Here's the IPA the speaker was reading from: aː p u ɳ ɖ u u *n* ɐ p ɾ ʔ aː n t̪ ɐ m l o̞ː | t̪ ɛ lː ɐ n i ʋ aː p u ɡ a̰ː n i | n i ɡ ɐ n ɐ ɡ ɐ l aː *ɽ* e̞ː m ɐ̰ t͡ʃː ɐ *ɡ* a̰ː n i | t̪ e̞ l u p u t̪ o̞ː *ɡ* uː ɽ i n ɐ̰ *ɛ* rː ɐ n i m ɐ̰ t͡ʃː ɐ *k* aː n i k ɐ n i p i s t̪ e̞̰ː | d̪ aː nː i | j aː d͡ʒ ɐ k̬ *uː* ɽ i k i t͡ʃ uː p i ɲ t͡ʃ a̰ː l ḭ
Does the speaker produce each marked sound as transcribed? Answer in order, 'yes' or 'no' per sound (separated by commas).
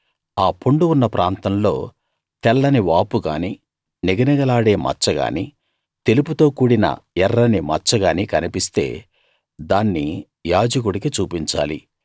no, yes, yes, no, yes, no, no